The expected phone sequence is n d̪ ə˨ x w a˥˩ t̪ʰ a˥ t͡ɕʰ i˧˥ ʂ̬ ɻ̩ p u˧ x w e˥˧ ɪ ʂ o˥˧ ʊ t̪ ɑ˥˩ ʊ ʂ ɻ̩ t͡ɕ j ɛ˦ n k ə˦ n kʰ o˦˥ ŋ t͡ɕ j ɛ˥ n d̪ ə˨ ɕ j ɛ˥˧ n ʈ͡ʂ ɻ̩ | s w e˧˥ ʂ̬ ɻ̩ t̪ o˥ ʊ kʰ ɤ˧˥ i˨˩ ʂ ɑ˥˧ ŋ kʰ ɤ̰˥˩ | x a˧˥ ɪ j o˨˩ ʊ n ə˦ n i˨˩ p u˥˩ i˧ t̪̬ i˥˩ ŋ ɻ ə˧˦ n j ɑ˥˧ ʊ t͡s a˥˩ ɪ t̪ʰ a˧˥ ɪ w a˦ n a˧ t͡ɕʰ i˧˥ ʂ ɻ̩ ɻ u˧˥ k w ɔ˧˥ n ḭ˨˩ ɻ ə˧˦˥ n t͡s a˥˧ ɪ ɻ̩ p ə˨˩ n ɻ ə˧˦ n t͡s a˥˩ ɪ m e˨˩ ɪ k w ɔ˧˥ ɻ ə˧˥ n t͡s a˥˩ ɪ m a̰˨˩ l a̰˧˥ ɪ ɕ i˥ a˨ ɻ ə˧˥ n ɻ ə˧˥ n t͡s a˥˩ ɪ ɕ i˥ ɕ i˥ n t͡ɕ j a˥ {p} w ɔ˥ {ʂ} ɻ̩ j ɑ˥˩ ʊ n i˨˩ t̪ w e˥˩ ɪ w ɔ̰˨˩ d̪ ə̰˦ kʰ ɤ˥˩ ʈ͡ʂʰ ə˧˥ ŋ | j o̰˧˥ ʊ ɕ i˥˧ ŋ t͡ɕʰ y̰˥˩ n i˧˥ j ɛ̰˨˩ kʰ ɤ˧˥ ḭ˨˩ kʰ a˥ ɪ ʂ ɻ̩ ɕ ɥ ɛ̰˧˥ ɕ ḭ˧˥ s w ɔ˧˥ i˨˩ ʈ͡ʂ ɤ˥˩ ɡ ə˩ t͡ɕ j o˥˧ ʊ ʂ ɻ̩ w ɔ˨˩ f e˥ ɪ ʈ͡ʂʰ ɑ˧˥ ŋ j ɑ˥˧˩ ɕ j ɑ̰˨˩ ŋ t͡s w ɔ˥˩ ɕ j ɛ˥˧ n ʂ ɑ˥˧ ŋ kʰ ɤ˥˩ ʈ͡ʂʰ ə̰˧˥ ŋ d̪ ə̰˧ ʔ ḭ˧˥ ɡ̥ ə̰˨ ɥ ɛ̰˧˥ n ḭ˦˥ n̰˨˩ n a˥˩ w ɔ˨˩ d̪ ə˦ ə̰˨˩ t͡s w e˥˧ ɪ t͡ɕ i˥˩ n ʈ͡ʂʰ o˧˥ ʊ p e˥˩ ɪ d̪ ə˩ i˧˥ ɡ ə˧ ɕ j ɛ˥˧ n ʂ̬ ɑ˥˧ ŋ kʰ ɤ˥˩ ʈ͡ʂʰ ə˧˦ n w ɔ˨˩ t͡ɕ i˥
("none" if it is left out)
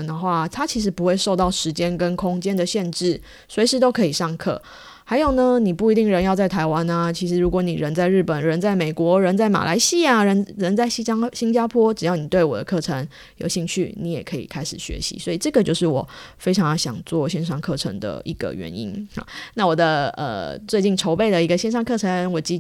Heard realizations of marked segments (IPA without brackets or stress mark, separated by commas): pʰ, ʈ͡ʂ